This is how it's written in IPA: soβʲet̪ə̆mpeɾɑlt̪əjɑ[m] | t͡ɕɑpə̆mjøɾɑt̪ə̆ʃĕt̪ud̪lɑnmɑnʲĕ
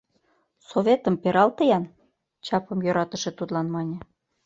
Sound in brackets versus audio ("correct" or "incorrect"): incorrect